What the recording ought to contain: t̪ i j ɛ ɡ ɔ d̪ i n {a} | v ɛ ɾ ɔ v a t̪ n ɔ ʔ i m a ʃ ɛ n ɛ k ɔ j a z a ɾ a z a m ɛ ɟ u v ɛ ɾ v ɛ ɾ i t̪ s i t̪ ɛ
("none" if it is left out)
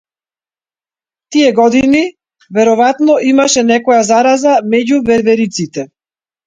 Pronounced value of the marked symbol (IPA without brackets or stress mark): i